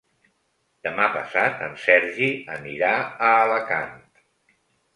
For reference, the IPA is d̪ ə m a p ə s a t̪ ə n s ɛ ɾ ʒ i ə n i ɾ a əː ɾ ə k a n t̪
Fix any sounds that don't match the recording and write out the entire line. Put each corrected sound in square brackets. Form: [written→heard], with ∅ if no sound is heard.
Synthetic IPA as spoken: d̪ ə m a p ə s a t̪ ə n s ɛ ɾ ʒ i ə n i ɾ a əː [ɾ→l] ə k a n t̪